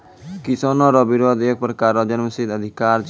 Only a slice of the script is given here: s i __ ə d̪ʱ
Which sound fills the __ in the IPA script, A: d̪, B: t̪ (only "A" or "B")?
A